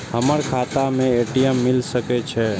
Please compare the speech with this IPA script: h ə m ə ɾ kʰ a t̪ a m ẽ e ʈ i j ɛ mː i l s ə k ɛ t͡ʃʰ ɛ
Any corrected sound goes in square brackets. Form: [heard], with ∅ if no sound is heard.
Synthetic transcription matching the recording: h ə m ə ɾ kʰ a t̪ a m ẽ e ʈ i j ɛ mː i l s ə k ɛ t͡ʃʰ ɛ